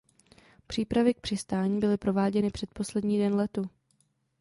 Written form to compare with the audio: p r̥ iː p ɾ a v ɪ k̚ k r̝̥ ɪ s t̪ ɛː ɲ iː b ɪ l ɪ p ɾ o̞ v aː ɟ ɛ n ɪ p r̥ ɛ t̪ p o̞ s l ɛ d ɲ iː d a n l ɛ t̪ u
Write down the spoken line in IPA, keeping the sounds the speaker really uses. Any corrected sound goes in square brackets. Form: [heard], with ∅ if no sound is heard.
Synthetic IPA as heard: p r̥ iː p ɾ a v ɪ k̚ [p] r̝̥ ɪ s t̪ [aː] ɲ iː b ɪ l ɪ p ɾ o̞ v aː ɟ ɛ n ɪ p r̥ ɛ t̪ p o̞ s l ɛ d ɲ iː d [ɛ] n l ɛ t̪ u

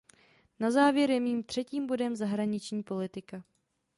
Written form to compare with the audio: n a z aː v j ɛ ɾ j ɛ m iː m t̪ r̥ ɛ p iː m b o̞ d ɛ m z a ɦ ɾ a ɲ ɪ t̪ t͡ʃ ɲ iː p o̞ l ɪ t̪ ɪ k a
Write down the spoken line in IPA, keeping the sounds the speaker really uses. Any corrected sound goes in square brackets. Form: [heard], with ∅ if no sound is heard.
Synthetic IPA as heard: n a z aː v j ɛ ɾ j ɛ m iː m t̪ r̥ ɛ [c] iː m b o̞ d ɛ m z a ɦ ɾ a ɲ ɪ [∅] t͡ʃ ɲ iː p o̞ l ɪ t̪ ɪ k a

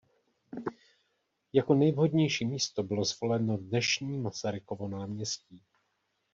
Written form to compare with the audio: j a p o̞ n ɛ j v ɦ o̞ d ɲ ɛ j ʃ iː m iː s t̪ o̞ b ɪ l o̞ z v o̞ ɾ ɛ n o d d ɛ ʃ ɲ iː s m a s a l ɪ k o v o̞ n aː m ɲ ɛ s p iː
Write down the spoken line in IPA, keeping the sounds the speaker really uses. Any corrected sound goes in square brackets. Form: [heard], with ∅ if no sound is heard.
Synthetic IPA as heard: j a [k] o̞ n ɛ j v ɦ o̞ d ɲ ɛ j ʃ iː m iː s t̪ o̞ b ɪ l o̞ z v o̞ [l] ɛ n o d [n] ɛ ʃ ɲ iː [∅] m a s a [ɾ] ɪ k o v o̞ n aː m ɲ ɛ s [c] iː

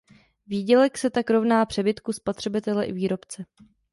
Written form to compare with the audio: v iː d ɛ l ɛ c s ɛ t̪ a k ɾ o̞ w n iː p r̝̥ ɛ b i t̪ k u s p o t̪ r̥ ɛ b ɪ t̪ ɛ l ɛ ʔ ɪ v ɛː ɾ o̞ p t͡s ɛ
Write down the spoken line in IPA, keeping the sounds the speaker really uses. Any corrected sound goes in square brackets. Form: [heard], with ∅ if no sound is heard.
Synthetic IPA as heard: v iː [ɟ] ɛ l ɛ [k] s ɛ t̪ a k ɾ o̞ [v] n [aː] p r̝̥ ɛ b [ɪ] t̪ k u s p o t̪ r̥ ɛ b ɪ t̪ ɛ l ɛ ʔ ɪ v [iː] ɾ o̞ p t͡s ɛ

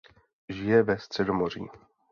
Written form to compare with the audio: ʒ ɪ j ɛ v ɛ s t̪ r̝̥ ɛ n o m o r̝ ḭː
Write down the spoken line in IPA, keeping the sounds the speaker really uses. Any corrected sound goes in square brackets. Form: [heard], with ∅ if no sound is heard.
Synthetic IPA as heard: ʒ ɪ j ɛ v ɛ s t̪ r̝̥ ɛ [d] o m o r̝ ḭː

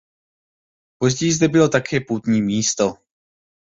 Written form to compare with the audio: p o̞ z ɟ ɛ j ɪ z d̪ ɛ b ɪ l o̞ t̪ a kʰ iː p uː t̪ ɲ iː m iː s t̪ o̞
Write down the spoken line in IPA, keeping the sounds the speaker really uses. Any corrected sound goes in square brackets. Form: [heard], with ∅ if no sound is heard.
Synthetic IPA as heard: p o̞ z ɟ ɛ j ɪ z d̪ ɛ b ɪ l o̞ t̪ a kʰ [ɛː] p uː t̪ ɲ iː m iː s t̪ o̞

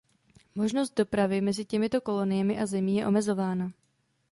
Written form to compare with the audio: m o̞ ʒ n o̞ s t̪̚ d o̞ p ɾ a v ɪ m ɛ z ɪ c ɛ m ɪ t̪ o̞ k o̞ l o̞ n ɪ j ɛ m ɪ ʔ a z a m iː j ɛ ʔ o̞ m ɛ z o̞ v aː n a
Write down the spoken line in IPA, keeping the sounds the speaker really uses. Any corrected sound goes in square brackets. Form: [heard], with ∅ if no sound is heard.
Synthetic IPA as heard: m o̞ ʒ n o̞ s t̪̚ d o̞ p ɾ a v ɪ m ɛ z ɪ c ɛ m ɪ t̪ o̞ k o̞ l o̞ n ɪ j ɛ m ɪ ʔ a z [ɛ] m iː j ɛ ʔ o̞ m ɛ z o̞ v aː n a

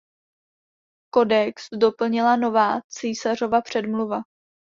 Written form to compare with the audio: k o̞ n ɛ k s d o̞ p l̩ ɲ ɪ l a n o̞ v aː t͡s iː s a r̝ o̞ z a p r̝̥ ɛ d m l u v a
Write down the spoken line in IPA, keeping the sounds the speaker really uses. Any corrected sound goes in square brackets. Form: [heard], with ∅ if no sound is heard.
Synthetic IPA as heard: k o̞ [d] ɛ k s d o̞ p l̩ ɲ ɪ l a n o̞ v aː t͡s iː s a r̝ o̞ [v] a p r̝̥ ɛ d m l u v a

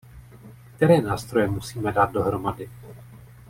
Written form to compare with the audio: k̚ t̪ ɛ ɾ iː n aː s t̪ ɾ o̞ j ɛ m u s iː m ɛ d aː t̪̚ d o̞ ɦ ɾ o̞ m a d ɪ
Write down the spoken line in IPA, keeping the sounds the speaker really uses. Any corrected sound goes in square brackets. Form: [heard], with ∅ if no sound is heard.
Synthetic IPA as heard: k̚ t̪ ɛ ɾ [ɛː] n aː s t̪ ɾ o̞ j ɛ m u s iː m ɛ d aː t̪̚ d o̞ ɦ ɾ o̞ m a d ɪ

